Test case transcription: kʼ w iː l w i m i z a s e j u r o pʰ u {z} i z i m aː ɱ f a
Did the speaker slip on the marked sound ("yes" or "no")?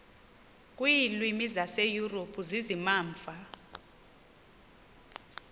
no